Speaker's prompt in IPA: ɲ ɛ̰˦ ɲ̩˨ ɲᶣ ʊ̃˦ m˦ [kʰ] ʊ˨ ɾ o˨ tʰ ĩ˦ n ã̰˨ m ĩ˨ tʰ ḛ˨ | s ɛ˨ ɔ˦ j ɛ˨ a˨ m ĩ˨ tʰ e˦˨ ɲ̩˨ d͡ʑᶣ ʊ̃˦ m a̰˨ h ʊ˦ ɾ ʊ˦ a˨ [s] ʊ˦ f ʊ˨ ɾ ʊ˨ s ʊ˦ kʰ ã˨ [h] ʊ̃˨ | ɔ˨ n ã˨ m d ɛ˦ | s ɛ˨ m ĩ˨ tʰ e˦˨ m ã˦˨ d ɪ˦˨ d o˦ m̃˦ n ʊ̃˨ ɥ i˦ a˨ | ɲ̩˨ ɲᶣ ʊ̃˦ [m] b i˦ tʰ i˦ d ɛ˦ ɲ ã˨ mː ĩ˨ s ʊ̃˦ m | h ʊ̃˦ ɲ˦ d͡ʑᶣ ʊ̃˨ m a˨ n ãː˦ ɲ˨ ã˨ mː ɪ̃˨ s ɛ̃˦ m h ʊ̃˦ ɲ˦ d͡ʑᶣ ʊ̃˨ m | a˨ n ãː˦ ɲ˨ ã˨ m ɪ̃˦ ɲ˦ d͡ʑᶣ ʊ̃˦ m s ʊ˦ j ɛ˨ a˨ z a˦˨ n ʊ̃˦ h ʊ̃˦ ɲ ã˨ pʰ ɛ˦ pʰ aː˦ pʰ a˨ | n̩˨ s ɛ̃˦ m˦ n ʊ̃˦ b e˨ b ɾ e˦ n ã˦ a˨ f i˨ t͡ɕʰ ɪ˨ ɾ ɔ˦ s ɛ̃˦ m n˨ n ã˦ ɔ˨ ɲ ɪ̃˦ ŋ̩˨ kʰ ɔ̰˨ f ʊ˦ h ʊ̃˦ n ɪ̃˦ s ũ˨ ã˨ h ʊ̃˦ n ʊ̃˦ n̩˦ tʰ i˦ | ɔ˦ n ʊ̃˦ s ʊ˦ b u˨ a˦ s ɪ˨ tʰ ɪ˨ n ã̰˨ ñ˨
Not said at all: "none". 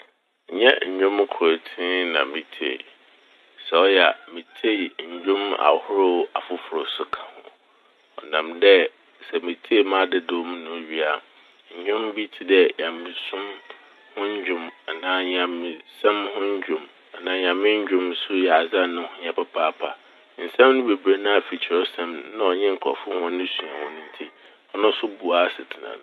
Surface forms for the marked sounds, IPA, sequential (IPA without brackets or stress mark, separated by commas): kʰ, f, h, m